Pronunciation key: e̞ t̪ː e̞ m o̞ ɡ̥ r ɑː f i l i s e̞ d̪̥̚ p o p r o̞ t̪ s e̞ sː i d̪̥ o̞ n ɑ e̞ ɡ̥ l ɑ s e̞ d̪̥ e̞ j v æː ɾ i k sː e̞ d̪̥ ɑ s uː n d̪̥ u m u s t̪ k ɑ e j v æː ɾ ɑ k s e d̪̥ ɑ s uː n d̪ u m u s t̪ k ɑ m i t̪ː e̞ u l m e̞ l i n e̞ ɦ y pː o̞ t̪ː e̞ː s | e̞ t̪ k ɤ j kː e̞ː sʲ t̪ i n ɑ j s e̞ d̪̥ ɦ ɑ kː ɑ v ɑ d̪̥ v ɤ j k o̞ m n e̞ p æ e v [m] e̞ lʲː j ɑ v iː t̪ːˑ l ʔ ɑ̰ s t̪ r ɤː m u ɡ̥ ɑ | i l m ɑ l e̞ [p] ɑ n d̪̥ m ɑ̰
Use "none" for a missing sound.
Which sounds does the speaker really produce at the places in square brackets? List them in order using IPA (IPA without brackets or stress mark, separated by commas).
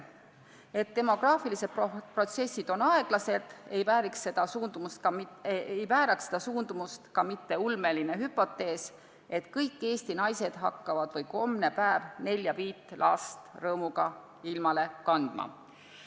n, k